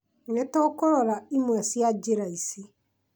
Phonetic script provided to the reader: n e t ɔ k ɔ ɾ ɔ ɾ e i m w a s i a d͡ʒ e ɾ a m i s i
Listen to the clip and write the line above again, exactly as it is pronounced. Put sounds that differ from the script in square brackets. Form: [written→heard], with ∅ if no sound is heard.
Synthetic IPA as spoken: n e t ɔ k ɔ ɾ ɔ ɾ [e→a] i m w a s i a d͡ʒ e ɾ a [m→∅] i s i